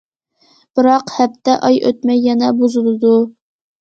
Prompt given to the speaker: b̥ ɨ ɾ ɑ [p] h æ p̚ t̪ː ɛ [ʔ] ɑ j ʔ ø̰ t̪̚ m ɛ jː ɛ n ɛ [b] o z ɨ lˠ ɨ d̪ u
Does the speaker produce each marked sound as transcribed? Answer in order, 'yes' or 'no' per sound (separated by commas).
no, yes, yes